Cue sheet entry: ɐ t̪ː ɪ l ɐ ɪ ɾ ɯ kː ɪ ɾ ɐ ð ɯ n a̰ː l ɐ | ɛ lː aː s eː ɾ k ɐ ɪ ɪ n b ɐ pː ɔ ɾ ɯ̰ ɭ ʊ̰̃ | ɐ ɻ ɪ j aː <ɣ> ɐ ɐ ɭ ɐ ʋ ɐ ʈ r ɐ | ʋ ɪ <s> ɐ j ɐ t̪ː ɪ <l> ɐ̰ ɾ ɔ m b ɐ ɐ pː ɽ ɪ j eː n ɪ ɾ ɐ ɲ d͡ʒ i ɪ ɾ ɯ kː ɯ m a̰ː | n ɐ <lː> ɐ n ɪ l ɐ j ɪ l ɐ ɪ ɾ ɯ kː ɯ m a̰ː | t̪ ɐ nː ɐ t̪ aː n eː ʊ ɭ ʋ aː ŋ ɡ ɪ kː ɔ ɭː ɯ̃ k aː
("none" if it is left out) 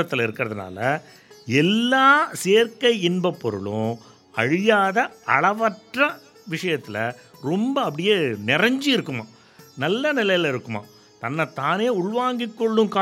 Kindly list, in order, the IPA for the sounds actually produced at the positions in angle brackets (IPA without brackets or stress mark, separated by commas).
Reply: ð, ʂ, l, lː